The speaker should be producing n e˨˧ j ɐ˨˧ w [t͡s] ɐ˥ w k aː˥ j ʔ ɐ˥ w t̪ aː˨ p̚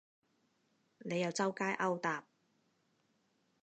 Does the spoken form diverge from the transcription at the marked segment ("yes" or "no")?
no